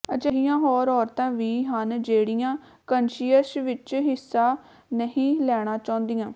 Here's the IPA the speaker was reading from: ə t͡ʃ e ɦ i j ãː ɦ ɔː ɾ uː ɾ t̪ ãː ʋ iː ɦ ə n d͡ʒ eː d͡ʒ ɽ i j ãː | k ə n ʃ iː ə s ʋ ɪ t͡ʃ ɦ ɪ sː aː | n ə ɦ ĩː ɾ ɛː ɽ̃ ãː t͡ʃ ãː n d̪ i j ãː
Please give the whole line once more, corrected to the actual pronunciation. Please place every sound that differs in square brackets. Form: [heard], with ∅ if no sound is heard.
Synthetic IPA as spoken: ə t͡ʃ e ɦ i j ãː ɦ ɔː ɾ [ɔː] ɾ t̪ ãː ʋ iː ɦ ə n d͡ʒ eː [∅] ɽ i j ãː | k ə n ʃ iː ə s ʋ ɪ t͡ʃ ɦ ɪ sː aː | n ə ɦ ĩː [l] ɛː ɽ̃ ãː t͡ʃ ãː n d̪ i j ãː